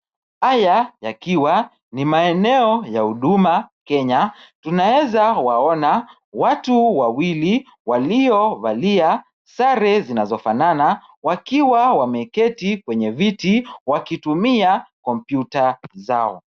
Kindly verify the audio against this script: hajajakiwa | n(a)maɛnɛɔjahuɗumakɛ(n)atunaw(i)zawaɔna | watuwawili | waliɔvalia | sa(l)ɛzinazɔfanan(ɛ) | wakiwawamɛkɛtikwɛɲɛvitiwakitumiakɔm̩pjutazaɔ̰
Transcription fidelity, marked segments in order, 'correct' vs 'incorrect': incorrect: i, incorrect: ɲ, incorrect: ɛ, incorrect: ɾ, incorrect: a

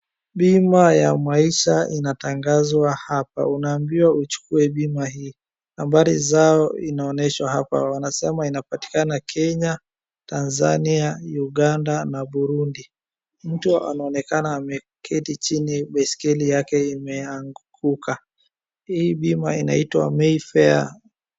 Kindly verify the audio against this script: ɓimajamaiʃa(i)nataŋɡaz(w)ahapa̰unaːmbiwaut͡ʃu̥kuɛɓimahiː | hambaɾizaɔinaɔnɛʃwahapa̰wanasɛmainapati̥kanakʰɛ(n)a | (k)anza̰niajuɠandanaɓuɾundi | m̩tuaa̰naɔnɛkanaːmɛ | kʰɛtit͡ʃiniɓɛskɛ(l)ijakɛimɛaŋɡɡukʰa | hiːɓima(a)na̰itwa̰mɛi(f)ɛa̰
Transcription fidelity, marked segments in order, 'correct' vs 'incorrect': correct, correct, incorrect: ɲ, incorrect: t, correct, incorrect: i, correct

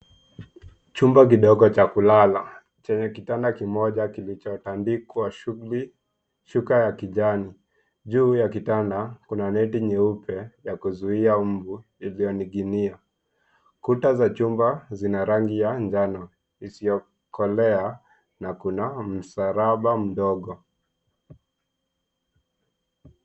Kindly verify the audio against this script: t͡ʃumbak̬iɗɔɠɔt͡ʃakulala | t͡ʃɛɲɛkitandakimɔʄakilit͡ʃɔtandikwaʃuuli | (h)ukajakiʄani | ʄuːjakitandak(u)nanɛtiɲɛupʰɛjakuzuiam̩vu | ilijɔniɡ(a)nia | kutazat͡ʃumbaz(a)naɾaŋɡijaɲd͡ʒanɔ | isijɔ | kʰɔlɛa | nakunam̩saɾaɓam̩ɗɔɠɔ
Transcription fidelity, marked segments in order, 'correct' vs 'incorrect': incorrect: ʃ, correct, incorrect: i, incorrect: i

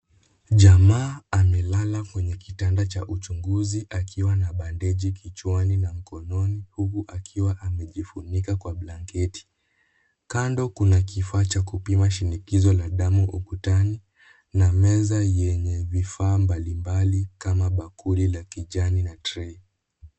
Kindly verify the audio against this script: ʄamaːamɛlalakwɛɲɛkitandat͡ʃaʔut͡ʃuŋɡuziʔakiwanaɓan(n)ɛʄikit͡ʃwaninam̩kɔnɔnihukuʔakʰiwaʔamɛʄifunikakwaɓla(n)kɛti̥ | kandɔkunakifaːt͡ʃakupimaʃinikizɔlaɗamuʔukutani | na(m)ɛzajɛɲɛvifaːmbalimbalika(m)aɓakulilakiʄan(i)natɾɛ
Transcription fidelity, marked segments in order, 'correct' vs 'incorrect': incorrect: d, incorrect: ŋ, correct, correct, correct

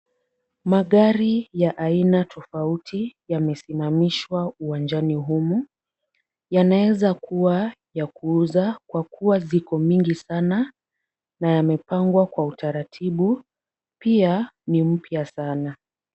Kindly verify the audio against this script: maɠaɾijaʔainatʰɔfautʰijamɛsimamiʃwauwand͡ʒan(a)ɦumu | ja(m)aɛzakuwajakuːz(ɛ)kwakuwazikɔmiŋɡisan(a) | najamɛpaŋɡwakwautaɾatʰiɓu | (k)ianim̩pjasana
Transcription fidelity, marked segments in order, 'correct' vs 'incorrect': incorrect: i, incorrect: n, incorrect: a, correct, incorrect: p

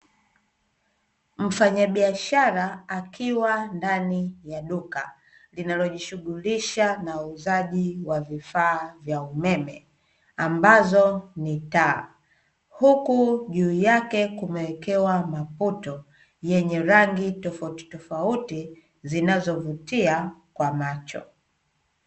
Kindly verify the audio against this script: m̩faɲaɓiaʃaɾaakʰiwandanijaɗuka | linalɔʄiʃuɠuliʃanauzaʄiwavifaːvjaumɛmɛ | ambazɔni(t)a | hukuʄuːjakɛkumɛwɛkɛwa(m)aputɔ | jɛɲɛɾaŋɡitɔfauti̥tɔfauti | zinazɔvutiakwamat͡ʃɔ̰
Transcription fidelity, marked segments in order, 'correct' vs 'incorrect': correct, correct

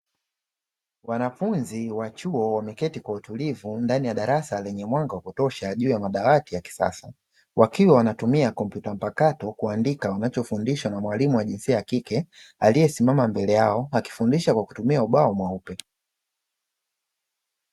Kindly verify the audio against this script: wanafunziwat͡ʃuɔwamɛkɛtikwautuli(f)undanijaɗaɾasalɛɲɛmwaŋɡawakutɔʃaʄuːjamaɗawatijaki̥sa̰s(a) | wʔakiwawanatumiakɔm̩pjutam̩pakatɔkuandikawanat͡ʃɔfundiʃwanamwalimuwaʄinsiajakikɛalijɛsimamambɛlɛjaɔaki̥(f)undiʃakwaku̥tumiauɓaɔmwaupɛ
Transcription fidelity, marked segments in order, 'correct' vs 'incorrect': incorrect: v, correct, correct

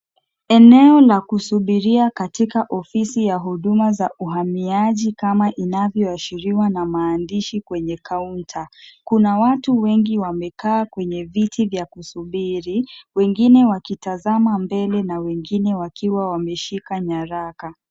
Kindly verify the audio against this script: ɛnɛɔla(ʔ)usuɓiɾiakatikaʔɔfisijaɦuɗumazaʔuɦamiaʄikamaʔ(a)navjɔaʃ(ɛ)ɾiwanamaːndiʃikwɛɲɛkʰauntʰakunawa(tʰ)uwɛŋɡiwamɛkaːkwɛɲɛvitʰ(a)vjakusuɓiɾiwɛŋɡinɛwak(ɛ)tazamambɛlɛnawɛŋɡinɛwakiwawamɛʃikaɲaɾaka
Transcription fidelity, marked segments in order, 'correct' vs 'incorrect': incorrect: k, incorrect: i, incorrect: i, incorrect: t, incorrect: i, incorrect: i

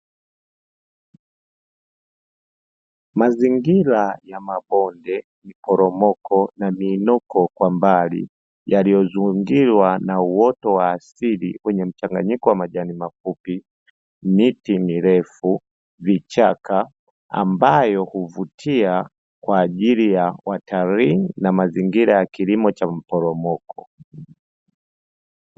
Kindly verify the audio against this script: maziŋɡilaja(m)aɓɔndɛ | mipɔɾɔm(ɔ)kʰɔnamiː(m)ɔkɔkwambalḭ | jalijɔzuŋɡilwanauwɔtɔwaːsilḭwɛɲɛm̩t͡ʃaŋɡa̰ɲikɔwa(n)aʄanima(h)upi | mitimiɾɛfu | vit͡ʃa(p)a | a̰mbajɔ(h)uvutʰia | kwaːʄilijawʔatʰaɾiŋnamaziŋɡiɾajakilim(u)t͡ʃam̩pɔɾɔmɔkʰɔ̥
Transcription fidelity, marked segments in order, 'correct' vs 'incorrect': correct, correct, incorrect: n, incorrect: m, incorrect: f, incorrect: k, correct, incorrect: ɔ

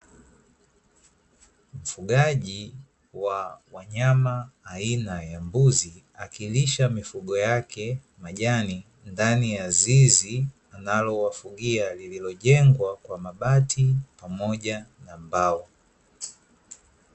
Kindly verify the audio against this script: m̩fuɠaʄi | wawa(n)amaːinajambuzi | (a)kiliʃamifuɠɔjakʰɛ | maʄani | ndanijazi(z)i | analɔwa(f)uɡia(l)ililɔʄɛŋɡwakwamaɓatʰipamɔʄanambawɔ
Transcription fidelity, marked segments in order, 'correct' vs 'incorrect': incorrect: ɲ, correct, correct, correct, correct

